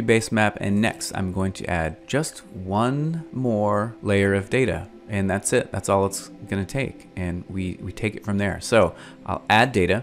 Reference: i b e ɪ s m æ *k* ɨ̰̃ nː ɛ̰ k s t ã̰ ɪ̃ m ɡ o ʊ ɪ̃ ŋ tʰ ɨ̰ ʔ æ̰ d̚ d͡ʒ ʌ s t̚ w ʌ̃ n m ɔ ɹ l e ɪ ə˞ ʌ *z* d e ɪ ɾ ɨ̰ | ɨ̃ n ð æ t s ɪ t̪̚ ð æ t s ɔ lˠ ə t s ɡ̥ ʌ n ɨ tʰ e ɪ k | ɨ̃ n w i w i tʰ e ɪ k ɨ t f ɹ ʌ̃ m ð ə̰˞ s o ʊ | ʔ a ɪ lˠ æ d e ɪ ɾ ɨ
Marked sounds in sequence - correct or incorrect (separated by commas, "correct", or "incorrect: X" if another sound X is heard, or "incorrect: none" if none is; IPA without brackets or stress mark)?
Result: incorrect: p, incorrect: v